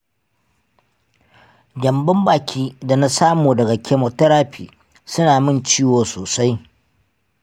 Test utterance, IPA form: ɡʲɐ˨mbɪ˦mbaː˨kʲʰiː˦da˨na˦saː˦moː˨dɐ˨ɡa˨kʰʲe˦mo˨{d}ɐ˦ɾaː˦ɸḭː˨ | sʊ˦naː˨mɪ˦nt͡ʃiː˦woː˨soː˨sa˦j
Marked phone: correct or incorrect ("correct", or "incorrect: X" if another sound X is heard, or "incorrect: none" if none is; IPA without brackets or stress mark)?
incorrect: t